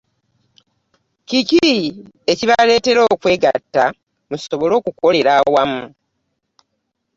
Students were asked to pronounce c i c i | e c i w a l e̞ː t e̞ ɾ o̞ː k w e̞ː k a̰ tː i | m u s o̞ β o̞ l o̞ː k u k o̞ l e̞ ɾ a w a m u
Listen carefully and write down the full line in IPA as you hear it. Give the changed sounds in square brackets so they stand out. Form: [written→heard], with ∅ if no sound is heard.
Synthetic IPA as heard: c i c i | e c i [w→β] a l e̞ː t e̞ ɾ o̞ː k w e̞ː [k→ɡ] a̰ tː [i→a] | m u s o̞ β o̞ l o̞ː k u k o̞ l e̞ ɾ a w a m u